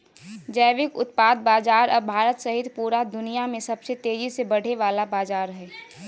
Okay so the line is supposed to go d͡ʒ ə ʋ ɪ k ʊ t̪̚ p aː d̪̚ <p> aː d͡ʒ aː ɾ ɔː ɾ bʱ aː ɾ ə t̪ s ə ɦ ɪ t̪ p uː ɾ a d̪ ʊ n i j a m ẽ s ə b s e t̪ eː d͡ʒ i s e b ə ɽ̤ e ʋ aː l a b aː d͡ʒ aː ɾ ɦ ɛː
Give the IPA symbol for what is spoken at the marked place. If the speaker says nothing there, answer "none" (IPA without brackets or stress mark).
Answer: b